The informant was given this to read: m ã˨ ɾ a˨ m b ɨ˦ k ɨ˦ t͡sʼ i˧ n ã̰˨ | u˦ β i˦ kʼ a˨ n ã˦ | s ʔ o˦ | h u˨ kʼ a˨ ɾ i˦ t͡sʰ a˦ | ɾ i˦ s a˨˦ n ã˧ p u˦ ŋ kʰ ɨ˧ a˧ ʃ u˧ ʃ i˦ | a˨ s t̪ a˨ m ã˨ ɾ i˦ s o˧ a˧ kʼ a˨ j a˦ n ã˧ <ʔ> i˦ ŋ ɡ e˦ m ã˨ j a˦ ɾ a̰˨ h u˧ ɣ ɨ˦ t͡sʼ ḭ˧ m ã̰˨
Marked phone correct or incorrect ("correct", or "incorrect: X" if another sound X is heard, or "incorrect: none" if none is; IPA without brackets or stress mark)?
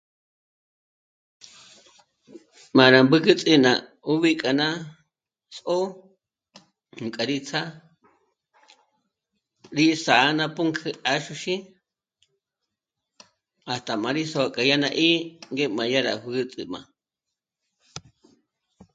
correct